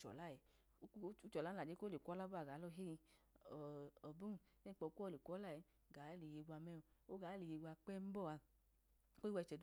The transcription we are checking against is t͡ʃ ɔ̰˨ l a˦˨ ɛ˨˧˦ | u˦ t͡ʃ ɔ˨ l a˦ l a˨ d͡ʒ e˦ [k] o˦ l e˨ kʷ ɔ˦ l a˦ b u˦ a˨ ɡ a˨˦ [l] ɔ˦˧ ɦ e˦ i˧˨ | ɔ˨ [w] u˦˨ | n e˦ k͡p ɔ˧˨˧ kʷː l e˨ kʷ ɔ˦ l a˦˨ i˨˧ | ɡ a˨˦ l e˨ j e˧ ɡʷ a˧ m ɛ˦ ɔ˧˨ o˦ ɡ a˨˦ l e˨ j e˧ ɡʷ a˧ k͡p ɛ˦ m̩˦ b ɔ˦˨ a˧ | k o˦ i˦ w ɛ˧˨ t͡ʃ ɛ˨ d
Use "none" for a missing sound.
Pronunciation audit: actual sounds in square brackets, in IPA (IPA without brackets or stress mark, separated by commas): k, l, b